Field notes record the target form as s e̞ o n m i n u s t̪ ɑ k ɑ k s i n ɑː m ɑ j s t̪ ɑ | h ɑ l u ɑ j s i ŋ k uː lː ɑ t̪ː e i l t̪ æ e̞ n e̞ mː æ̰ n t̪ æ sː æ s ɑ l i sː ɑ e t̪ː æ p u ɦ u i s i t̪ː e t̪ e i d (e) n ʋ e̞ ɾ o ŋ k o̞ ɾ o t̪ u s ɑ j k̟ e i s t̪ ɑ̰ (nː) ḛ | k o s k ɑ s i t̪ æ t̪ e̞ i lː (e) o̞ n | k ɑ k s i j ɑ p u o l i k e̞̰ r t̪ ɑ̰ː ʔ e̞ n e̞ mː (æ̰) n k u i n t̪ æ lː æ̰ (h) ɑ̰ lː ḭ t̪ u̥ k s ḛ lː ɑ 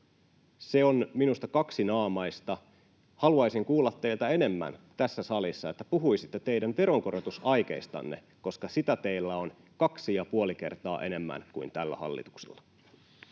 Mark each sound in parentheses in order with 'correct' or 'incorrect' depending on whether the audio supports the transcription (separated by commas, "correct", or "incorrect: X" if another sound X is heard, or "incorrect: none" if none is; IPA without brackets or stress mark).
incorrect: æ, correct, incorrect: æ, correct, correct